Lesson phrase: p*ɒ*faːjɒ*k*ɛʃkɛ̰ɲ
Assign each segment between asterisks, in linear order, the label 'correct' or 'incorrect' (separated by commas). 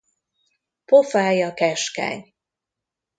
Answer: incorrect, correct